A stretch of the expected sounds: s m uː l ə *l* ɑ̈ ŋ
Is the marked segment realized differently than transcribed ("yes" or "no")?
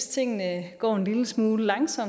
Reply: no